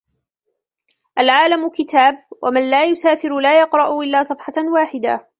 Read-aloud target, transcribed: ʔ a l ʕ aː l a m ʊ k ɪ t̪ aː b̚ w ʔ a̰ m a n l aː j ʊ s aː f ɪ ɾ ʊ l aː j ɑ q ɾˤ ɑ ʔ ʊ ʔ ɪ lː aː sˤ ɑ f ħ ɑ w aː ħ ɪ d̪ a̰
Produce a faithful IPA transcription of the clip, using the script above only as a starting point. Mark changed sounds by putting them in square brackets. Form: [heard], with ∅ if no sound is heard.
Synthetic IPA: ʔ a l ʕ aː l a m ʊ k ɪ t̪ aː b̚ w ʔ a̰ m a n l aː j ʊ s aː f ɪ ɾ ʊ l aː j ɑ q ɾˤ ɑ ʔ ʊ ʔ ɪ lː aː sˤ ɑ f ħ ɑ w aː ħ ɪ d̪ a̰